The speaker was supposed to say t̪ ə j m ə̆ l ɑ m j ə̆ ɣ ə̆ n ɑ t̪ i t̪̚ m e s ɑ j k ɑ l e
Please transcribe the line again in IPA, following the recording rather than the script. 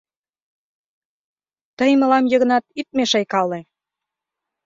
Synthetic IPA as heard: t̪ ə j m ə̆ l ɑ m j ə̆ ɣ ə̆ n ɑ t̪ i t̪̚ m e ʃ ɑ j k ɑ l e